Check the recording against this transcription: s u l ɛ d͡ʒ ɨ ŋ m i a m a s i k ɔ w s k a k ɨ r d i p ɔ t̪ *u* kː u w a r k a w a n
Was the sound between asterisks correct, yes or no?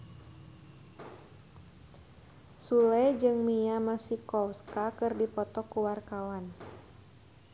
no